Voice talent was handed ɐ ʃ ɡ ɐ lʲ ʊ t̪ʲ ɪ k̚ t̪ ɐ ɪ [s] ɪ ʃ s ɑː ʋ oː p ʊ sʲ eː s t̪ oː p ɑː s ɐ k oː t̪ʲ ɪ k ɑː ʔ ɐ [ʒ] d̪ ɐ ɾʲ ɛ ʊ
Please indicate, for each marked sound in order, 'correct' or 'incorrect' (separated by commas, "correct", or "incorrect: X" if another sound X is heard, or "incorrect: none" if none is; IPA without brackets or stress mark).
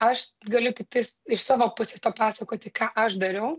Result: correct, incorrect: ʃ